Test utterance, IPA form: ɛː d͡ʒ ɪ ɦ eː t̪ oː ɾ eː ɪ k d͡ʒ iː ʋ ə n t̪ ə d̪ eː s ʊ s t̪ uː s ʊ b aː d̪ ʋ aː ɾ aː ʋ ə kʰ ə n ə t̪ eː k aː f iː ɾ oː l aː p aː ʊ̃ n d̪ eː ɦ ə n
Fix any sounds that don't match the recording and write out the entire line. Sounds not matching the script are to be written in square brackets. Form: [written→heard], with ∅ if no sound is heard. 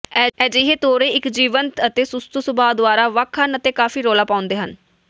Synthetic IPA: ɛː d͡ʒ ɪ ɦ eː t̪ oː ɾ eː ɪ k d͡ʒ iː ʋ ə n t̪ ə [d̪→t̪] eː s ʊ s t̪ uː s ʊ b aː d̪ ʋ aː ɾ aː ʋ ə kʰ ə n ə t̪ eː k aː f iː ɾ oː l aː p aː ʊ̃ n d̪ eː ɦ ə n